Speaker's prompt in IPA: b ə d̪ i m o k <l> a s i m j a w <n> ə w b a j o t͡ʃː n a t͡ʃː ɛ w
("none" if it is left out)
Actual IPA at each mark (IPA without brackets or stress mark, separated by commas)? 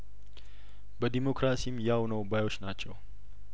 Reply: ɾ, n